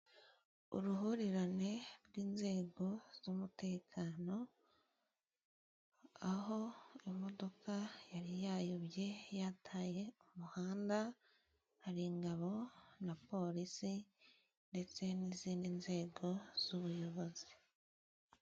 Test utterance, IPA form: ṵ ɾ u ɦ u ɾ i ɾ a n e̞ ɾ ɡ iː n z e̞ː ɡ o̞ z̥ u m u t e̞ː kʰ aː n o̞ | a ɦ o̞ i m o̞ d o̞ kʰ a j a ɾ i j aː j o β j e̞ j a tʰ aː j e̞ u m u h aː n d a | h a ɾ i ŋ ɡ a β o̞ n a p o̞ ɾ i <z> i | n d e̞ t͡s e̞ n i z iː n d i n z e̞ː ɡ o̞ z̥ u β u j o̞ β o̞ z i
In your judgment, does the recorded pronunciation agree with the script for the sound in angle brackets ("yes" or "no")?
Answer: no